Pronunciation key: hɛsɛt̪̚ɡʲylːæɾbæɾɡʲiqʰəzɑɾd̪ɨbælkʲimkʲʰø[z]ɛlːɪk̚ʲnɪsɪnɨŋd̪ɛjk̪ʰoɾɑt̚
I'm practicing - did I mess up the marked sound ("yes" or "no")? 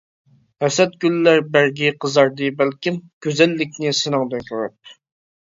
no